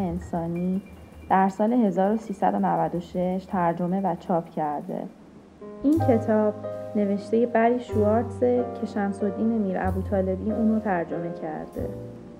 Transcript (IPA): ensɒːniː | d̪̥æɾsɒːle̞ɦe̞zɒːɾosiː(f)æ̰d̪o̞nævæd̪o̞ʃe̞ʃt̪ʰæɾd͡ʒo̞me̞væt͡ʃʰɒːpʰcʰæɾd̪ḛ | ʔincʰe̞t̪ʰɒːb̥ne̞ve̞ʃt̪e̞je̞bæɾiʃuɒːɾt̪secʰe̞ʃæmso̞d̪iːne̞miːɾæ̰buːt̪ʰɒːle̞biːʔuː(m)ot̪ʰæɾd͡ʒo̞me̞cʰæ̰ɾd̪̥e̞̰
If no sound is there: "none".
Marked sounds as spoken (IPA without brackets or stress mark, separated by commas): s, n